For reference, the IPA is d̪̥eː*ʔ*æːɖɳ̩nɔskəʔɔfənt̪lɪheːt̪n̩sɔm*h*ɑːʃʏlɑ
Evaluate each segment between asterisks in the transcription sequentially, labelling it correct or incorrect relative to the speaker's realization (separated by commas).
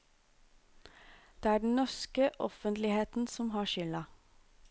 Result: incorrect, correct